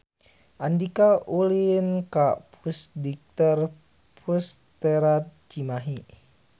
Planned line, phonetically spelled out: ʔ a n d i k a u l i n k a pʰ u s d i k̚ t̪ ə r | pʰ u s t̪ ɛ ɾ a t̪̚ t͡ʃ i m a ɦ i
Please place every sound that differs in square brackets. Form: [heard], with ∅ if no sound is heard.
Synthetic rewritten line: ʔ a n d i k a u l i n k a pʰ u s d i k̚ t̪ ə r | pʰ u s t̪ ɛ ɾ a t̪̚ t͡ʃ i m a ɦ i